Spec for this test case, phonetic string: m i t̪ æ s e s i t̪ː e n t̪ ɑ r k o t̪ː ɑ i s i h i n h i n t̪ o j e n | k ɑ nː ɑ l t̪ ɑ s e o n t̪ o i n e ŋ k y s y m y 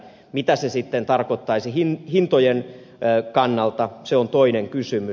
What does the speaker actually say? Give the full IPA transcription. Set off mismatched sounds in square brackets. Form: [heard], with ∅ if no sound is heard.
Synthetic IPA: m i t̪ æ s e s i t̪ː e n t̪ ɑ r k o t̪ː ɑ i s i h i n h i n t̪ o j e n | k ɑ nː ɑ l t̪ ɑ s e o n t̪ o i n e ŋ k y s y m y